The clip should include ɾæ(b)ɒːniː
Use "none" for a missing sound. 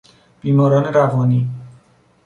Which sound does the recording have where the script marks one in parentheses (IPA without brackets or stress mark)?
v